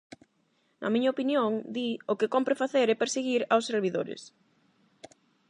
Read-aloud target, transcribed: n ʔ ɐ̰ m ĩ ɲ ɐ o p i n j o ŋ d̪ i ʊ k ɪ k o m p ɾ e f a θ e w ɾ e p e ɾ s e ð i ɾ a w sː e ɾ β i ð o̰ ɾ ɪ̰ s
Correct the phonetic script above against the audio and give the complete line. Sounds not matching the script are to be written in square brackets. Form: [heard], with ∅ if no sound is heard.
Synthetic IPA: n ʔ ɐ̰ m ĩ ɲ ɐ o p i n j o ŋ d̪ i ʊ k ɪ k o m p ɾ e f a θ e [∅] ɾ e p e ɾ s e [ɣ] i ɾ a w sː e ɾ β i ð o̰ ɾ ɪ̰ s